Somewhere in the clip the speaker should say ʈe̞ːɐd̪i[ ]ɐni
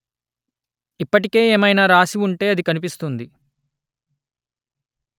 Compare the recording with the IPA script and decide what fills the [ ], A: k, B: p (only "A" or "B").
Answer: A